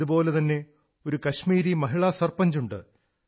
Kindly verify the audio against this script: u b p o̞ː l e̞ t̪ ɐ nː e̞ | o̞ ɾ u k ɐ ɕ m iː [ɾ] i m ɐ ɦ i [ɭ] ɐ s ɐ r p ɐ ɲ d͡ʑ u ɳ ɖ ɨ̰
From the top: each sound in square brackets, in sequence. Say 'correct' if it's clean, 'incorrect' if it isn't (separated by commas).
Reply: correct, correct